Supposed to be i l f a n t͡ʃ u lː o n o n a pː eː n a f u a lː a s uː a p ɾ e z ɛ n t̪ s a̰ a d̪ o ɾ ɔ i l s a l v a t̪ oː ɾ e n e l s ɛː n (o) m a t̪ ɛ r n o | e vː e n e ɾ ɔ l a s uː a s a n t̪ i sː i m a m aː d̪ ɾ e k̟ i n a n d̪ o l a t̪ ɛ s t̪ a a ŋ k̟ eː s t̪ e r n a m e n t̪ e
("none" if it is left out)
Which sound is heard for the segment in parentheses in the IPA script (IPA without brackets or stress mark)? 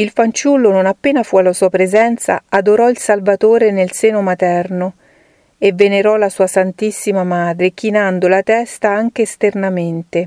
o